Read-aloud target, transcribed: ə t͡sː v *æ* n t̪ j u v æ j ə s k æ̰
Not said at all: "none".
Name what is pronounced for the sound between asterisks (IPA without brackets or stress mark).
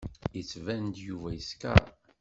æ